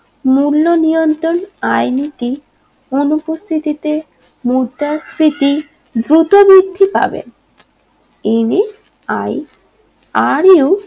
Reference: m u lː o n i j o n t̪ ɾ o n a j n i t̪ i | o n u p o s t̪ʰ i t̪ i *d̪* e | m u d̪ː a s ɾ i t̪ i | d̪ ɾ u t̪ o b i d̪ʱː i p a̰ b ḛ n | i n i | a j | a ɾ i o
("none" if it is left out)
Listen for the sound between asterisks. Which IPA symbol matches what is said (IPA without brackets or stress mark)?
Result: t̪